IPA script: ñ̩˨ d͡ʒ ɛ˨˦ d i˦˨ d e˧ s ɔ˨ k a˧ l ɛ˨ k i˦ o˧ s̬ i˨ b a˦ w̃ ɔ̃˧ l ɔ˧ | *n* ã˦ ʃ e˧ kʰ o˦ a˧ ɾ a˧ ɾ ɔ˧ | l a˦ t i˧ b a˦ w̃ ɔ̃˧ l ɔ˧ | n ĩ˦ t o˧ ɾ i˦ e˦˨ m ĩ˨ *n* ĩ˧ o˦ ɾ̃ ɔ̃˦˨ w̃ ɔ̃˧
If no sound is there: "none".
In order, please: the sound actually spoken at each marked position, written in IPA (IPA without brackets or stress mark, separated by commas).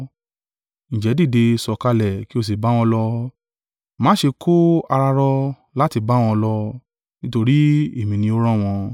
m, n